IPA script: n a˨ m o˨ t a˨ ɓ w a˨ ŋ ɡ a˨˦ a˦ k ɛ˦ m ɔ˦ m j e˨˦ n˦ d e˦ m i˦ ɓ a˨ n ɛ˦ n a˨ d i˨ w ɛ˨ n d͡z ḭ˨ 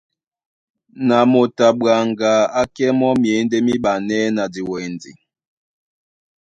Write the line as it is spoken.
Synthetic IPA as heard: n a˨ m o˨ t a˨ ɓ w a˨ ŋ ɡ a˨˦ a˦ k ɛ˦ m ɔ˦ m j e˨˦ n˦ d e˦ m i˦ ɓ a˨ n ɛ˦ n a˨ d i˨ w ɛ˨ n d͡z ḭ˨